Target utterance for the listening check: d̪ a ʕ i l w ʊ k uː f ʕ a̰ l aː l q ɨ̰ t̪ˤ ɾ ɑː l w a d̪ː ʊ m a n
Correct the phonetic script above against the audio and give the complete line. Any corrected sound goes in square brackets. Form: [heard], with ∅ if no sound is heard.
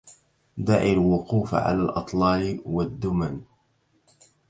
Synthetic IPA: d̪ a ʕ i l w ʊ [q] uː f ʕ a̰ l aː l [ʔ] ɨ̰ t̪ˤ [l] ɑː l w a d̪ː ʊ m a n